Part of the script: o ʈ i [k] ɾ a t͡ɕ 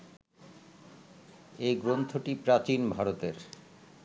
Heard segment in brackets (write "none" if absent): p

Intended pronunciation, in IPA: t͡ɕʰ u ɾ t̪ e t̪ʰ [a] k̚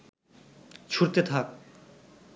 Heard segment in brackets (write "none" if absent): a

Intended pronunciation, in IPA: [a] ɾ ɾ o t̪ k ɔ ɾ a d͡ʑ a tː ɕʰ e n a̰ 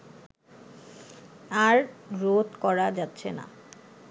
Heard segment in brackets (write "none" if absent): a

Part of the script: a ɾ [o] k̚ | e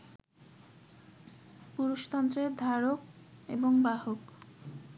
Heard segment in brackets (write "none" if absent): o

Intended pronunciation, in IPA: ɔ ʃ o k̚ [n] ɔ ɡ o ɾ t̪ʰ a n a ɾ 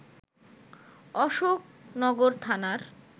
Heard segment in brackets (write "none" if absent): n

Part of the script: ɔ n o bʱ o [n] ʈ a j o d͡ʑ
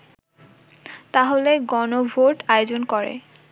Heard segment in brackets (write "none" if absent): none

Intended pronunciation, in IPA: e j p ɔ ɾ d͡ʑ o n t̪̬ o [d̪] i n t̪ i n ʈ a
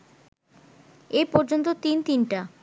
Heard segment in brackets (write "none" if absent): t̪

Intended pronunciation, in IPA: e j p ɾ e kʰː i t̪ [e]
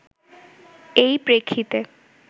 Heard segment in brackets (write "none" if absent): e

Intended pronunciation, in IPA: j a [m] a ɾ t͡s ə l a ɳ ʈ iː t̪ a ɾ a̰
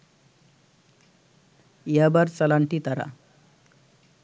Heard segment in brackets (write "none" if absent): b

